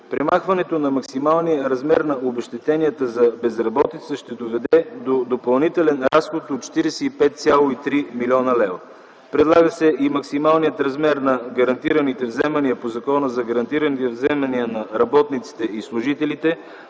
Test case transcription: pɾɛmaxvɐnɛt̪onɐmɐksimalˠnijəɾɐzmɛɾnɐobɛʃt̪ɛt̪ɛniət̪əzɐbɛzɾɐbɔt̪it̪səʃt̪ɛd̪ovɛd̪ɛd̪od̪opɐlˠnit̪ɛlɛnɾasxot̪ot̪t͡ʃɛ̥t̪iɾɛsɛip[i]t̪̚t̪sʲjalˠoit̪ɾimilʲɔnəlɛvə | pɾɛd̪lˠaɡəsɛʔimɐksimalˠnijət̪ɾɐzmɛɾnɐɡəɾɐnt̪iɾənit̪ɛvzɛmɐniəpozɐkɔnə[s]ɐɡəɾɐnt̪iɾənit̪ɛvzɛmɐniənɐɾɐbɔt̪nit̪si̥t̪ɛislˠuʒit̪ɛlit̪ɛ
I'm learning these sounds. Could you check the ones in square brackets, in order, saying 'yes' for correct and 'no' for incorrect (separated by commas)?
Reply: no, no